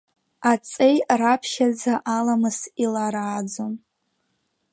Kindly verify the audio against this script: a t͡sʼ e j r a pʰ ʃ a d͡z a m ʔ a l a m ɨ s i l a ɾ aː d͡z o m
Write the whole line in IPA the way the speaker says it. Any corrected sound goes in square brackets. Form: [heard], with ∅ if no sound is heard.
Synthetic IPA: a t͡sʼ e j r a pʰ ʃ a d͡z a [∅] ʔ a l a m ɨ s i l a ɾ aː d͡z o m

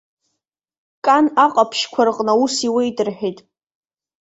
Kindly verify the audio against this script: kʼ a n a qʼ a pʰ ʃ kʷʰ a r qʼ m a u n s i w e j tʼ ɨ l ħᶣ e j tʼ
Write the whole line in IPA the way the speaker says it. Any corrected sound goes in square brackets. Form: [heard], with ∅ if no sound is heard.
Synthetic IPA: kʼ a n a qʼ a pʰ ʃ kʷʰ a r qʼ [n] a u [∅] s i w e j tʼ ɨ [r] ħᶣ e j tʼ

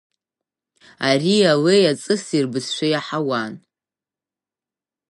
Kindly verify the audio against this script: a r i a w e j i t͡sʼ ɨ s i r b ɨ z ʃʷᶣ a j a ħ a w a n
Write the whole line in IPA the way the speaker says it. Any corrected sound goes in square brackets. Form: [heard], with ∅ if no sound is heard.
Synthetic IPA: a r i a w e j [a] t͡sʼ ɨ s i r b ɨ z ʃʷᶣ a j a ħ a w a n

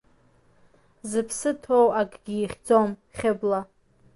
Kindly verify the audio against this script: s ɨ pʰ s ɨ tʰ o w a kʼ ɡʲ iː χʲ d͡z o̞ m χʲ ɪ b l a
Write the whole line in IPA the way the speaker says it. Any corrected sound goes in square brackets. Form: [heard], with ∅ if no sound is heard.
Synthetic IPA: [z] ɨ pʰ s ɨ tʰ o w a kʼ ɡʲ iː χʲ d͡z o̞ m χʲ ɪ b l a

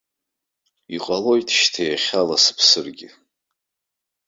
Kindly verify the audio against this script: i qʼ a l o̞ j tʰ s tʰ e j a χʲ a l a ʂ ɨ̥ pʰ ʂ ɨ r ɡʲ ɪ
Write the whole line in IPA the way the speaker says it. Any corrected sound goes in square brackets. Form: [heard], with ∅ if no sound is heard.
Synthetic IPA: i qʼ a l o̞ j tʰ [ʃ] tʰ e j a χʲ a l a [s] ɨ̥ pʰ [s] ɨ r ɡʲ ɪ

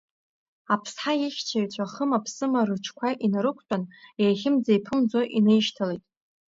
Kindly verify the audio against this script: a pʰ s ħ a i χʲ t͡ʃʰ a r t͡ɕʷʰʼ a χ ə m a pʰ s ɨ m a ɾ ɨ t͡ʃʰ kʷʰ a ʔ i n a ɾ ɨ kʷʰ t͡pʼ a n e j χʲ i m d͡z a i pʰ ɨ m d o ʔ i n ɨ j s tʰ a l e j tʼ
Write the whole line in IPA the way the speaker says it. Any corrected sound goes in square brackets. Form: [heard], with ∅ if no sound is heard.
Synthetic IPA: a pʰ s ħ a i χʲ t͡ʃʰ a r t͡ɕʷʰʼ a χ ə m a pʰ s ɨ m a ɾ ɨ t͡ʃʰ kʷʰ a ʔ i n a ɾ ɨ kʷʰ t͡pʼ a n e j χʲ [ɪ] m d͡z a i pʰ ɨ m [d͡z] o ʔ i n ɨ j [ʃ] tʰ a l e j tʼ

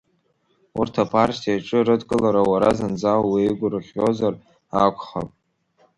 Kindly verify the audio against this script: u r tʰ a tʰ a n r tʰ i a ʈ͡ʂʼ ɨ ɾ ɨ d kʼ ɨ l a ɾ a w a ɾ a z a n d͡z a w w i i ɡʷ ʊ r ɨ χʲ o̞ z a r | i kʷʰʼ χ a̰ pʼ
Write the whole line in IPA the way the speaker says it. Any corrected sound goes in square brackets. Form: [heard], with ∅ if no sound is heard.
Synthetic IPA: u r tʰ a [pʰ] a [∅] r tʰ i a ʈ͡ʂʼ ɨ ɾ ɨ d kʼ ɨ l a ɾ a w a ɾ a z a n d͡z a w w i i ɡʷ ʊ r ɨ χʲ o̞ z a r | [a] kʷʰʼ χ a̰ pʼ

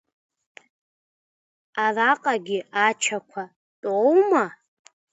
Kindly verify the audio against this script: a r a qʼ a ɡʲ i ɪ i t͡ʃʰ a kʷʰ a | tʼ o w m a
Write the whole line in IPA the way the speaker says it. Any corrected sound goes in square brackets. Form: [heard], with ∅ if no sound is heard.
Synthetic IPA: a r a qʼ a ɡʲ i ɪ [a] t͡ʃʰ a kʷʰ a | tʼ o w m a

